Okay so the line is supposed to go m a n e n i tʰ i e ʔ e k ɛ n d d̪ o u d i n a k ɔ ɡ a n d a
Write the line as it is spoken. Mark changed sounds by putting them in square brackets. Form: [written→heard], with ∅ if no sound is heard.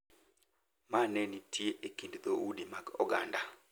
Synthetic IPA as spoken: m a n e n i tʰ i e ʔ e k [ɛ→i] n d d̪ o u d i [n→m] a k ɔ ɡ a n d a